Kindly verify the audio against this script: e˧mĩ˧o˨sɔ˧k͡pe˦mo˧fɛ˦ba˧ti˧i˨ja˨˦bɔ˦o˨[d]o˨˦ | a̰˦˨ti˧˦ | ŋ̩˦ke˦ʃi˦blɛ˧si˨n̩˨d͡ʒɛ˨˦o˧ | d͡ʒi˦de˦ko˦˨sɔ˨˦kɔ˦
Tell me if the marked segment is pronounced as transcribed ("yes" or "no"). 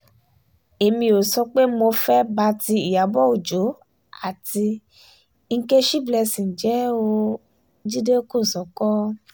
no